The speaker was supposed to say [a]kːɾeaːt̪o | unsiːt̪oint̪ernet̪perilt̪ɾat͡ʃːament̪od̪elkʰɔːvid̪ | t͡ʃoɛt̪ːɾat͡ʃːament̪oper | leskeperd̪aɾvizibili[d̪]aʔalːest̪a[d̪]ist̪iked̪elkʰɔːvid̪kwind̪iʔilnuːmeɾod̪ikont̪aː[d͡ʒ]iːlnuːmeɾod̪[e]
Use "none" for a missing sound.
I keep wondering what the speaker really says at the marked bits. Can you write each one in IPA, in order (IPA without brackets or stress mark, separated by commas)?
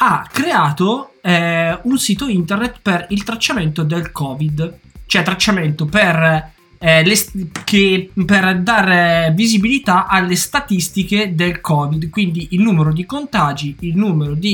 a, t̪, t̪, d͡ʒ, i